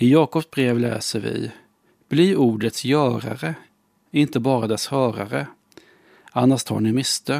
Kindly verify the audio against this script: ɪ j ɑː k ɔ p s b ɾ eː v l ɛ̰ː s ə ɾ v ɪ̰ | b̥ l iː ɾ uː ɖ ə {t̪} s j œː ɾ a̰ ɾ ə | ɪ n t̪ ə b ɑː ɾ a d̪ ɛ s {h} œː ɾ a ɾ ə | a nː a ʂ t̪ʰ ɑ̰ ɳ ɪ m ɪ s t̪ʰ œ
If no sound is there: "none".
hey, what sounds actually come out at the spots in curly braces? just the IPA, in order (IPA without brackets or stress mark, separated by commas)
t̪, h